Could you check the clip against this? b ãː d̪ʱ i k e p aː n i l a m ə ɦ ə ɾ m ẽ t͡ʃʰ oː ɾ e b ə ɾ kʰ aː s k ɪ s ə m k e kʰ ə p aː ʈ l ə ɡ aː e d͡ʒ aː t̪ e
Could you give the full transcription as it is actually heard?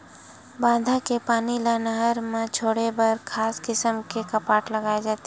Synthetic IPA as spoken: b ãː d̪ʱ a k e p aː n i l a n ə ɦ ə ɾ m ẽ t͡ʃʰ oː ɽ e b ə ɾ kʰ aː s k ɪ s ə m k e k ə p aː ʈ l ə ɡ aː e d͡ʒ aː t̪ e